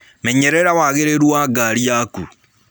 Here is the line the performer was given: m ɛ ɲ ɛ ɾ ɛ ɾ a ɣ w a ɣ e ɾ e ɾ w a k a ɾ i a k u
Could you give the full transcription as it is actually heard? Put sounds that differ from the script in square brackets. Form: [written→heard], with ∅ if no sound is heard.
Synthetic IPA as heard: m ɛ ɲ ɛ ɾ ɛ ɾ a [ɣ→∅] w a ɣ e ɾ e ɾ w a [k→ɡ] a ɾ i a k u